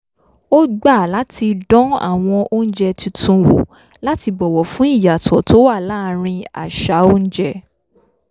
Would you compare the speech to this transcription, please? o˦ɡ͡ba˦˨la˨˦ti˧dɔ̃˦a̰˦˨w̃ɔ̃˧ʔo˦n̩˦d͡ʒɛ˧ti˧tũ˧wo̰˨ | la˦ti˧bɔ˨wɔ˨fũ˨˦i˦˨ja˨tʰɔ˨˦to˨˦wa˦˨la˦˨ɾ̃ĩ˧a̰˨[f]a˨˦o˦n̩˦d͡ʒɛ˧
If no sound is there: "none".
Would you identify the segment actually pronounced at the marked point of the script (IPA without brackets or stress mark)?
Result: ʃ